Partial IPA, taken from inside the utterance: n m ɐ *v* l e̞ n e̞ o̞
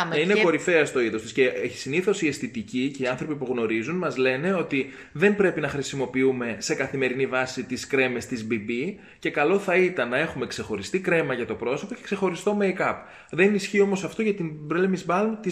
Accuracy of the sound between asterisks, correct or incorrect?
incorrect